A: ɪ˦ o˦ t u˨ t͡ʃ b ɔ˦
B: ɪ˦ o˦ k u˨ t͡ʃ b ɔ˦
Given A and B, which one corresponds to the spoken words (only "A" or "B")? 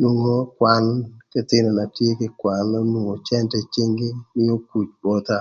B